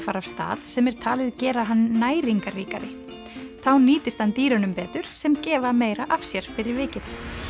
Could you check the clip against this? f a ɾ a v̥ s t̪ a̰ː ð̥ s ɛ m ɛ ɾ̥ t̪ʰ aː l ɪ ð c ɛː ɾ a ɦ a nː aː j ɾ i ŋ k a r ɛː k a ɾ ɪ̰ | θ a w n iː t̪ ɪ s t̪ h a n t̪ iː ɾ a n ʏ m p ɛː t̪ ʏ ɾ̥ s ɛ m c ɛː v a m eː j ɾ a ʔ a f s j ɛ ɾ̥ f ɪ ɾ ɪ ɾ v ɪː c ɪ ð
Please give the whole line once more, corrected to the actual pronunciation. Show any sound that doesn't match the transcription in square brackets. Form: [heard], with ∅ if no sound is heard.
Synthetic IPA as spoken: f a ɾ a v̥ s t̪ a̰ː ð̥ s ɛ m ɛ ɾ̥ t̪ʰ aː l ɪ ð c ɛː ɾ a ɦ a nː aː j ɾ i ŋ k a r [iː] k a ɾ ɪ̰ | θ a w n iː t̪ ɪ s t̪ h a n t̪ iː ɾ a n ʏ m p ɛː t̪ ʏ ɾ̥ s ɛ m c ɛː v a m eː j ɾ a ʔ a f s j ɛ ɾ̥ f ɪ ɾ ɪ ɾ v ɪː c ɪ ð